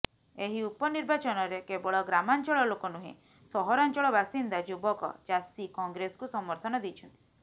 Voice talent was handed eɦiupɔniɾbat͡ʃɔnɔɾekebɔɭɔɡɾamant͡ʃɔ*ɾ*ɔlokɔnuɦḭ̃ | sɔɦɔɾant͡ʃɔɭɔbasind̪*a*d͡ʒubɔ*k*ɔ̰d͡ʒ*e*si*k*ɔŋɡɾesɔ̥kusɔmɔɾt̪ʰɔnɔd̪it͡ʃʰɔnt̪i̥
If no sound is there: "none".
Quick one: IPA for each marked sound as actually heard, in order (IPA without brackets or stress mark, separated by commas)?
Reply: ɭ, a, k, a, k